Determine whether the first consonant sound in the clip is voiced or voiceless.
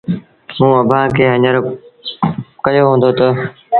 voiced